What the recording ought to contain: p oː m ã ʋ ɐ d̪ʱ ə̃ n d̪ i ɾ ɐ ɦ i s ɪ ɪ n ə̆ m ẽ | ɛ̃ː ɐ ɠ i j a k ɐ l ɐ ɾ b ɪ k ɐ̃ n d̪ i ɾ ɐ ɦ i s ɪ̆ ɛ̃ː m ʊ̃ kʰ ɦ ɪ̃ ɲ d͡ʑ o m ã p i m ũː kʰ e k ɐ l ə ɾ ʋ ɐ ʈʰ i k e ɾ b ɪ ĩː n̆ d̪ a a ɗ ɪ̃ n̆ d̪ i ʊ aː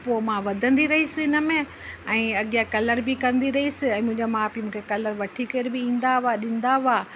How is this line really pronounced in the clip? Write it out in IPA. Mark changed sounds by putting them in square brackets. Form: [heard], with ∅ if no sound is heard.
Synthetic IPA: p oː m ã ʋ ɐ d̪ʱ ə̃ n d̪ i ɾ ɐ ɦ i s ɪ ɪ n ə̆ m ẽ | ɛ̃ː ɐ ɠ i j a k ɐ l [ə] ɾ b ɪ k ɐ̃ n d̪ i ɾ ɐ ɦ i s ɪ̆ ɛ̃ː m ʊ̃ [∅] ɦ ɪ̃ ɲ d͡ʑ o m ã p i m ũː kʰ e k ɐ l ə ɾ ʋ ɐ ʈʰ i k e ɾ b ɪ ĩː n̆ d̪ a a ɗ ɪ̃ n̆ d̪ [a] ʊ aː